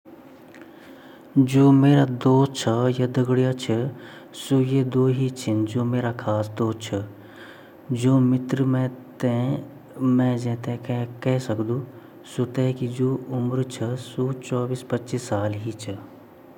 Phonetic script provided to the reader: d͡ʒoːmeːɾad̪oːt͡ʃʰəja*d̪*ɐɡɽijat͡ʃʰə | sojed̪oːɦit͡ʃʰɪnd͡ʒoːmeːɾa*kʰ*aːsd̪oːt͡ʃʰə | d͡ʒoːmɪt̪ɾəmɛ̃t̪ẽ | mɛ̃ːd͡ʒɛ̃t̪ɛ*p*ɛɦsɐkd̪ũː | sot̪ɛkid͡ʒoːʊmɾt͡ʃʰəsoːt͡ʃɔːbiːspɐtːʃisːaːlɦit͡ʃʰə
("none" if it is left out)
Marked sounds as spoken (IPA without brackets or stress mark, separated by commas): d̪, kʰ, k